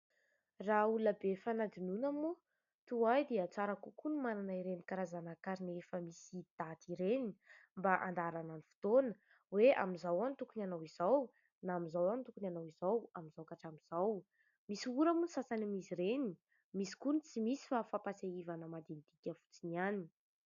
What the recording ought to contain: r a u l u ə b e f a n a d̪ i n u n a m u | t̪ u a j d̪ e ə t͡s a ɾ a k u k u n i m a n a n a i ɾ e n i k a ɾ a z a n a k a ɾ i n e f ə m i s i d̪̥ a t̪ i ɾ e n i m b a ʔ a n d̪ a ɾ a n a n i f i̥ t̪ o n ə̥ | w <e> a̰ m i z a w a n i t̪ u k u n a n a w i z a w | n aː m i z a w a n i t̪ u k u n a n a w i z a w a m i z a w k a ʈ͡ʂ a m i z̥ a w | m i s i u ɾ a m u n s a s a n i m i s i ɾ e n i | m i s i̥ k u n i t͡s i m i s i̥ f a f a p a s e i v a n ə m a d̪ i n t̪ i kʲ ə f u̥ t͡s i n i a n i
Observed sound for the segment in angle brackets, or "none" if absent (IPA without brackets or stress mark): e